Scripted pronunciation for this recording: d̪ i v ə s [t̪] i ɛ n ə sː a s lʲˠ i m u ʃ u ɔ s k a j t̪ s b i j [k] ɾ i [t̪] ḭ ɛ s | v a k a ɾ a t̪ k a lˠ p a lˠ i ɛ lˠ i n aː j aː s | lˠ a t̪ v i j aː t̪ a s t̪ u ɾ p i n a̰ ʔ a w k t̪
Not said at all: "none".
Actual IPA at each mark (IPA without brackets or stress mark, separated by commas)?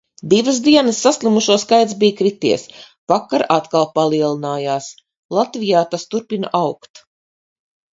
d̪, k, t̪